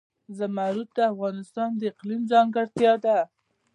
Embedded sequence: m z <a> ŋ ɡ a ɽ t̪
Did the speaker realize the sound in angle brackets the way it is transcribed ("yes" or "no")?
no